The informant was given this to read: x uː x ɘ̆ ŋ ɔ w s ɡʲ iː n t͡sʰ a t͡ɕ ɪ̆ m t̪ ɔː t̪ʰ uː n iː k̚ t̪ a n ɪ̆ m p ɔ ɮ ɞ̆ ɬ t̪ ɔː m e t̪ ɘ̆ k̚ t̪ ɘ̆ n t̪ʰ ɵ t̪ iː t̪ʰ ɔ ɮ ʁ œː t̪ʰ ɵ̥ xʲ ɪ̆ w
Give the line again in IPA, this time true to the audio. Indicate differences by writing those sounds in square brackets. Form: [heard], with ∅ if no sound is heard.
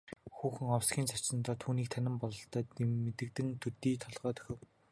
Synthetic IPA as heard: x uː x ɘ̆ ŋ ɔ w s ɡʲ iː n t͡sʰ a t͡ɕ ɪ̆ [n] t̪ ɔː t̪ʰ uː n iː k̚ [t̪ʰ] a n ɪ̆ m p ɔ ɮ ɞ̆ ɬ t̪ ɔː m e t̪ ɘ̆ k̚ t̪ ɘ̆ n t̪ʰ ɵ t̪ iː t̪ʰ ɔ ɮ ʁ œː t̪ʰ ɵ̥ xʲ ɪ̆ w